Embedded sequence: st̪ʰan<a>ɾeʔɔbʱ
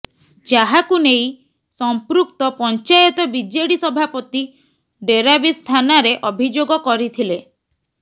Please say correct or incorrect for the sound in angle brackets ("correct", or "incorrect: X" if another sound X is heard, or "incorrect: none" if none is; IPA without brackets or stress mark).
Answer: correct